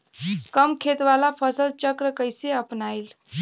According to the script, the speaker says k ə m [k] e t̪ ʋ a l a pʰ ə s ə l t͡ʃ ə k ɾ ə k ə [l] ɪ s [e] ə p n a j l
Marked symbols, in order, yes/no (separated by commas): no, no, yes